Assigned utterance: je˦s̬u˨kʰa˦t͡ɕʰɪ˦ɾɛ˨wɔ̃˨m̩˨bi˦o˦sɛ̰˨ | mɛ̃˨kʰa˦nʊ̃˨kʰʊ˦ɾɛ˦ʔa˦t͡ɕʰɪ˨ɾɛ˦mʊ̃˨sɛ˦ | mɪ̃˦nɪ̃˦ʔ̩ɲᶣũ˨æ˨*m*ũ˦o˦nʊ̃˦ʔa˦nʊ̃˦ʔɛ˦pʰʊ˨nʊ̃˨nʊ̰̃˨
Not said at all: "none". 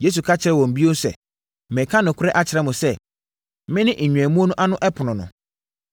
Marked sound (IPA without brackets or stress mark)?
m